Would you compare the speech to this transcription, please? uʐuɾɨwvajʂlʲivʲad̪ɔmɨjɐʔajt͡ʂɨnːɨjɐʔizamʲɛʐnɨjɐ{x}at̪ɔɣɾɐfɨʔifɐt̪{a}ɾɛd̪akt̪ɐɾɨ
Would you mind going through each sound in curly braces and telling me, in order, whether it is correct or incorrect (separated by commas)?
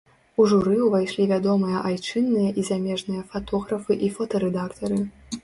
incorrect, incorrect